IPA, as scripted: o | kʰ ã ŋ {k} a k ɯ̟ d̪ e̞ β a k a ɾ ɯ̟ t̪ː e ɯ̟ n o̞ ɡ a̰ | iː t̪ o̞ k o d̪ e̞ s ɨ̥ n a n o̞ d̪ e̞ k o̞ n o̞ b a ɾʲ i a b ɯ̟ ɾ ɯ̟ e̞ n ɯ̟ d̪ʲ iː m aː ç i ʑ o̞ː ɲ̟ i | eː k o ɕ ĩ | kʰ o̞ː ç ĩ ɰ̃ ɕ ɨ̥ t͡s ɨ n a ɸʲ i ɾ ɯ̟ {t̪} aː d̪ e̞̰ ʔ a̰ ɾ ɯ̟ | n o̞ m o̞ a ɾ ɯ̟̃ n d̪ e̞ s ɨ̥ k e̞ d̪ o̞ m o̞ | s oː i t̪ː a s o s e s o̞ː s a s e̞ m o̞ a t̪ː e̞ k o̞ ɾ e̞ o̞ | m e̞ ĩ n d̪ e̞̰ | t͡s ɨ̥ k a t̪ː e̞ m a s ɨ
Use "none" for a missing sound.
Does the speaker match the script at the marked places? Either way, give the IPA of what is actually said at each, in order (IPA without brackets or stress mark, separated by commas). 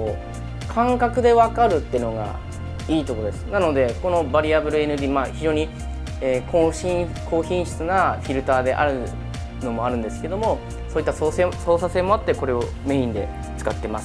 k, t̪